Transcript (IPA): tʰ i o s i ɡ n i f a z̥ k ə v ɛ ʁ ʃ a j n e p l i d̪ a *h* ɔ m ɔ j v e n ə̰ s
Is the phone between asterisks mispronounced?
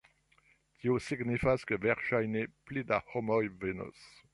no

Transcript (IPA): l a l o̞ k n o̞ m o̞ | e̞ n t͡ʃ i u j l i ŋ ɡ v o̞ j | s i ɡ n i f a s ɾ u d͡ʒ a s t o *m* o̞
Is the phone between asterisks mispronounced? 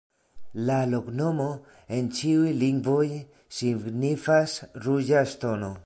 yes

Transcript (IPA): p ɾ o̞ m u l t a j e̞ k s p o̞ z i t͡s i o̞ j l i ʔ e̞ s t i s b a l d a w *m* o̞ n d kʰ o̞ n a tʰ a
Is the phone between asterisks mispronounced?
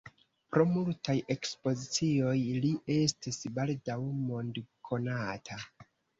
no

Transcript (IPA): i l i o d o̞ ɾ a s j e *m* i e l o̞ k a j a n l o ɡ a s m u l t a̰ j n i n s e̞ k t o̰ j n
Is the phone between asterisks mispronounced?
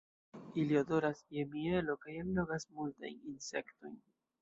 no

